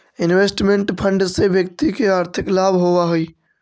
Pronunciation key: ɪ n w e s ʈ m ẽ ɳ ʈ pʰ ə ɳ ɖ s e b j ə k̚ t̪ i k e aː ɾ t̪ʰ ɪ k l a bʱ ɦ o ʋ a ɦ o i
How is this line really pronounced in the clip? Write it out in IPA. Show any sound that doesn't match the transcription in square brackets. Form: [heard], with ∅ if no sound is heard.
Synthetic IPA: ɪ n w e s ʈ m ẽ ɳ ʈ pʰ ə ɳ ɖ s e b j ə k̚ t̪ i k e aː ɾ t̪ʰ ɪ k l a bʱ ɦ o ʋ a ɦ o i

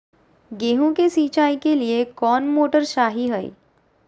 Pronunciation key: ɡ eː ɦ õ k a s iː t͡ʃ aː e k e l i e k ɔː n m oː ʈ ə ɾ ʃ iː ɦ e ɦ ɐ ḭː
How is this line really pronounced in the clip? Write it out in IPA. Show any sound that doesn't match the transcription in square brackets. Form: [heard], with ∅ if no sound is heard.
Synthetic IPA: ɡ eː ɦ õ k [e] s iː t͡ʃ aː [i] k e l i e k ɔː n m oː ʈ ə ɾ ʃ [aː] ɦ [i] ɦ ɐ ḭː

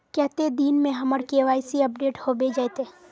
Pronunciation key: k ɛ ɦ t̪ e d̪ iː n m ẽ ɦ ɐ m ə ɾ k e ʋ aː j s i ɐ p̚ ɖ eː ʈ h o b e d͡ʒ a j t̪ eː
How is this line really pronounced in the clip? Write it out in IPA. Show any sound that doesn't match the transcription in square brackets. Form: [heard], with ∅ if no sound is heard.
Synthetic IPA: k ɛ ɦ t̪ e d̪ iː n m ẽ ɦ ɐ m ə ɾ k e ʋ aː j s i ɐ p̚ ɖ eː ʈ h o b e d͡ʒ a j t̪ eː

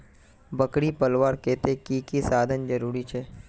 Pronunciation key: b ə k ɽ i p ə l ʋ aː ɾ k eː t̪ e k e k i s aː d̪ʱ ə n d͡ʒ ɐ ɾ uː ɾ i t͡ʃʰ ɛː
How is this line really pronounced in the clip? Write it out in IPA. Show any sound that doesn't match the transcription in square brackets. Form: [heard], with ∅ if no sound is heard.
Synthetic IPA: b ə k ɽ i p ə l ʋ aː ɾ k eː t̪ e k [i] k i s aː d̪ʱ ə n d͡ʒ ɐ ɾ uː ɾ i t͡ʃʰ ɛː

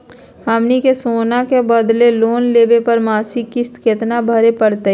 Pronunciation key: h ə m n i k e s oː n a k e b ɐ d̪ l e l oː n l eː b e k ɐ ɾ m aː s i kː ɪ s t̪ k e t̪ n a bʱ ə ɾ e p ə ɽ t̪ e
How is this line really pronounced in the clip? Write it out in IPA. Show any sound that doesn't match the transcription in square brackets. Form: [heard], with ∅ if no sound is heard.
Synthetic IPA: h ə m n i k e s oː n a k e b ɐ d̪ l e l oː n l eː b e [p] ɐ ɾ m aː s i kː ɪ s t̪ k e t̪ n a bʱ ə ɾ e p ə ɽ t̪ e

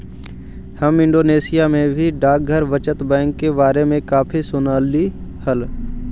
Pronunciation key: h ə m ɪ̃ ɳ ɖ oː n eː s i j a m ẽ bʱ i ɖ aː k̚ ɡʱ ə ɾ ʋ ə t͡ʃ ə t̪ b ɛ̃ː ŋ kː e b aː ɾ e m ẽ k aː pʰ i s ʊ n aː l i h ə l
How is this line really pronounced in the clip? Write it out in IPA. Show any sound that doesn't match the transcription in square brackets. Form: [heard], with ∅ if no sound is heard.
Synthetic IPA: h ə m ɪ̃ ɳ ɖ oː n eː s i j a m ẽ bʱ i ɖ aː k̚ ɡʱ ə ɾ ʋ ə t͡ʃ ə t̪ b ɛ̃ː ŋ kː e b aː ɾ e m ẽ k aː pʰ i s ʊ n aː l i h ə l

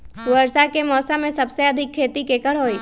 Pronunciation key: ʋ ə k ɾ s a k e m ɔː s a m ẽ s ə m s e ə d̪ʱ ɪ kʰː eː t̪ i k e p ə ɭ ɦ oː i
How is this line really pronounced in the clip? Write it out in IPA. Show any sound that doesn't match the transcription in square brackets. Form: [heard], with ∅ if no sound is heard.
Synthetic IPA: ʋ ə [∅] ɾ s a k e m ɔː s a m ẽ s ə [b] s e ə d̪ʱ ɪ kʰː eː t̪ i k e [k] ə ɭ ɦ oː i

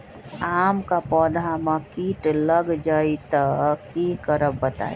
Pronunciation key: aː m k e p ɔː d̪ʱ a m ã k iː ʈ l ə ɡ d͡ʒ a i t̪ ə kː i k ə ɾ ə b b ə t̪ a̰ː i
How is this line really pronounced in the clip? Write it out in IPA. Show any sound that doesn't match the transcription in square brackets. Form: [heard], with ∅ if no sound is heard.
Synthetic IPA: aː m k [a] p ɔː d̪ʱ a m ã k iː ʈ l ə ɡ d͡ʒ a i t̪ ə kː i k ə ɾ ə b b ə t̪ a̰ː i

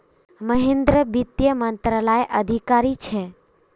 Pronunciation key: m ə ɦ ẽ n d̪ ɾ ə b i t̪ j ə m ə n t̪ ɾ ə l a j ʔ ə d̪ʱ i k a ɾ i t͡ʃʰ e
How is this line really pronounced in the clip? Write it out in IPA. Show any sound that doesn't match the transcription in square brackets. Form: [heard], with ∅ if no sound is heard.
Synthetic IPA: m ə ɦ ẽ n d̪ ɾ ə b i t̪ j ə m ə n t̪ ɾ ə l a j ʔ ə d̪ʱ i k a ɾ i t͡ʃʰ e

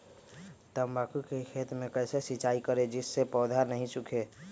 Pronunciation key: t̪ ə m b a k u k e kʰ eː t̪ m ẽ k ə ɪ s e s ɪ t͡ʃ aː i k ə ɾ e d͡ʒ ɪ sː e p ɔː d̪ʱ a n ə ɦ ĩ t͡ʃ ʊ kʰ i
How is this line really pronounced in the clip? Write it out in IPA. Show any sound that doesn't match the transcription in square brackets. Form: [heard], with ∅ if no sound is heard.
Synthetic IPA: t̪ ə m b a k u k e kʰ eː t̪ m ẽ k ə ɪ s e s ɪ t͡ʃ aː i k ə ɾ e d͡ʒ ɪ sː e p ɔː d̪ʱ a n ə ɦ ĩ t͡ʃ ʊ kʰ [e]

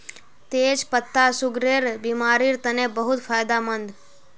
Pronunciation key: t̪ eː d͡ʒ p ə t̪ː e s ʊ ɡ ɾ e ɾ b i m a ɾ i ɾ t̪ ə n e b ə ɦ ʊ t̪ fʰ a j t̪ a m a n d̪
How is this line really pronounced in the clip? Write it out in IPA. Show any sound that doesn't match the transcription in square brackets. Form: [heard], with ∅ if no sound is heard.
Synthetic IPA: t̪ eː d͡ʒ p ə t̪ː [a] s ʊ ɡ ɾ e ɾ b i m a ɾ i ɾ t̪ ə n e b ə ɦ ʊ t̪ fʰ a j [d̪] a m [ə] n d̪

